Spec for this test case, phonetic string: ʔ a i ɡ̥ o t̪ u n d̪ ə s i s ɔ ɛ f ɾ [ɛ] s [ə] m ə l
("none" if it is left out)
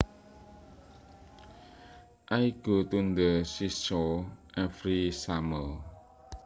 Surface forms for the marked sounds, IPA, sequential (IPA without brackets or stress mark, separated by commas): i, a